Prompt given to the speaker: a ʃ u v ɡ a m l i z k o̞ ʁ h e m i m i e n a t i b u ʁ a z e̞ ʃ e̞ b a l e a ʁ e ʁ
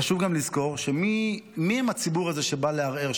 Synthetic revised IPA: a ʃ u v ɡ a m l i z k o̞ ʁ ʃ e m i m i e m a t͡s i b u ʁ a z e̞ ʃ e̞ b a l e a ʁ e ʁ